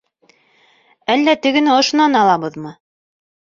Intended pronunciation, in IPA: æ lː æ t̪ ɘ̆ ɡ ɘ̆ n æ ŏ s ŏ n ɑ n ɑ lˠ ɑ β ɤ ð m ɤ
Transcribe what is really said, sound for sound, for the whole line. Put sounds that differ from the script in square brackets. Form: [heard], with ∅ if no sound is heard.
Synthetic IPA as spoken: æ lː æ t̪ ɘ̆ ɡ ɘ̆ n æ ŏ [ʃ] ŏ n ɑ n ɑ lˠ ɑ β ɤ ð m ɤ